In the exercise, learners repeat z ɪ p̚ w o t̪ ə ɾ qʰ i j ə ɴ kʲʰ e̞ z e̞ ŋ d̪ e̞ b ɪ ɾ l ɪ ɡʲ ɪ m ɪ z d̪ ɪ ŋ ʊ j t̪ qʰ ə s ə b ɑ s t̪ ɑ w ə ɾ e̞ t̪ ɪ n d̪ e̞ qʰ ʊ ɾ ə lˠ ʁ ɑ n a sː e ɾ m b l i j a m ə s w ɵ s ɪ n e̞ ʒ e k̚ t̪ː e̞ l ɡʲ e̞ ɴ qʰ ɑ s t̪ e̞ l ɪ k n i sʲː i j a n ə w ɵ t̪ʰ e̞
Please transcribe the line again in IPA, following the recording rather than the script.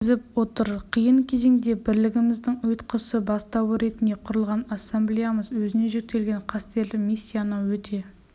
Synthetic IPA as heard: z ɪ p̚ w o t̪ ə ɾ qʰ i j ə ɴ kʲʰ e̞ z e̞ ŋ d̪ e̞ b ɪ ɾ l ɪ ɡʲ ɪ m ɪ z d̪ ɪ ŋ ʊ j t̪ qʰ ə s ə b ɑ s t̪ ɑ w ə ɾ e̞ t̪ ɪ n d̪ e̞ qʰ ʊ ɾ ə lˠ ʁ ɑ n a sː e m b l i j a m ə z w ɵ z ɪ n e̞ ʒ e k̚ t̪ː e̞ l ɡʲ e̞ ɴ qʰ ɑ s t̪ e̞ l ɪ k m i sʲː i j a n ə w ɵ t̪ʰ e̞